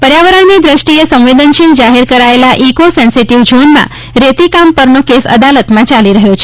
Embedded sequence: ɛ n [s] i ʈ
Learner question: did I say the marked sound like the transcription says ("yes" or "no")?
yes